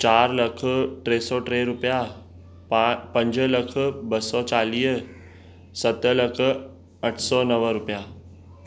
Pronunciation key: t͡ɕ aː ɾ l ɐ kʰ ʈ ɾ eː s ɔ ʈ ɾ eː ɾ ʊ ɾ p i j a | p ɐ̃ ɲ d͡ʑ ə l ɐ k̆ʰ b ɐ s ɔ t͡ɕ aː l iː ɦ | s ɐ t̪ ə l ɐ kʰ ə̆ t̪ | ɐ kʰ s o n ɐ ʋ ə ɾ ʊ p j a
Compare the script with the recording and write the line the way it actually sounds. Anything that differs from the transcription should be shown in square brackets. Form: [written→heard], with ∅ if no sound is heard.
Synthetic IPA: t͡ɕ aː ɾ l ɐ kʰ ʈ ɾ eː s ɔ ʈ ɾ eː ɾ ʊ [ɾ→∅] p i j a | p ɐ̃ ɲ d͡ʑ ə l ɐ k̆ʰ b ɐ s ɔ t͡ɕ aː l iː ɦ | s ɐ t̪ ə l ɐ kʰ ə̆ [t̪→∅] | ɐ [kʰ→ʈʰ] s [o→ɔ] n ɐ ʋ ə ɾ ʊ p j a